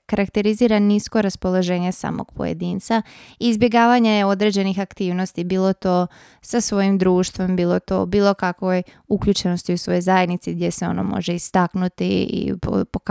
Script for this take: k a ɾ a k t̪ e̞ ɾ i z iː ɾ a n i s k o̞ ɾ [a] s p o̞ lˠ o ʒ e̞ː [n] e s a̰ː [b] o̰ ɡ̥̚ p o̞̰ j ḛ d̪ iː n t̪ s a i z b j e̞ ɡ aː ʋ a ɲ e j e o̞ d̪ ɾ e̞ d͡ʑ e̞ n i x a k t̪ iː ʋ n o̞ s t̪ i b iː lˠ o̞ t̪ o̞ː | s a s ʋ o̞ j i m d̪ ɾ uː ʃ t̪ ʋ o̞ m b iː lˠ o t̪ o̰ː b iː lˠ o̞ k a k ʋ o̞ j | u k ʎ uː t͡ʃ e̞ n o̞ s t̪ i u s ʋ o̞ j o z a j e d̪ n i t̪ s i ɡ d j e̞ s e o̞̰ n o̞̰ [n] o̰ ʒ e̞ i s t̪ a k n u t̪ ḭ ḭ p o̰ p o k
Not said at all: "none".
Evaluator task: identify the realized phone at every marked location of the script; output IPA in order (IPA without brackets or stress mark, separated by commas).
a, ɲ, m, m